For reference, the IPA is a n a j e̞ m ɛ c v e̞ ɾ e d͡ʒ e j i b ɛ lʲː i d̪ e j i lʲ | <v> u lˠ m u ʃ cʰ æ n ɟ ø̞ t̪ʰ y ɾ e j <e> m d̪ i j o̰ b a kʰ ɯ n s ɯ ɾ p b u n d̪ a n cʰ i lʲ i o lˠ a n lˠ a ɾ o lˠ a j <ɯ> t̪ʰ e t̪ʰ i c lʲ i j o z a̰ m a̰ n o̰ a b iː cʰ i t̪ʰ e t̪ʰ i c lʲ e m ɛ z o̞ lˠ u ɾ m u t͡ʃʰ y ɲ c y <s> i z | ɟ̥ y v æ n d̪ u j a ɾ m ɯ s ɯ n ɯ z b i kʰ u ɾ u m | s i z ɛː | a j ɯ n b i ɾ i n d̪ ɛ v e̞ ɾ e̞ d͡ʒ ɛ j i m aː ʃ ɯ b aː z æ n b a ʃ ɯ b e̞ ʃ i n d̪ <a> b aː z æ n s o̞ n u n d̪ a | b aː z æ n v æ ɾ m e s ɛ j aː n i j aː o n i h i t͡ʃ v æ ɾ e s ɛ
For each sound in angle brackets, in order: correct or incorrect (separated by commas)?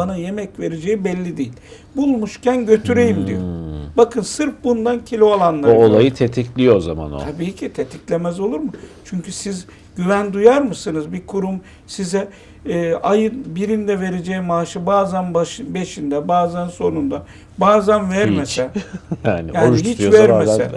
incorrect, incorrect, correct, correct, incorrect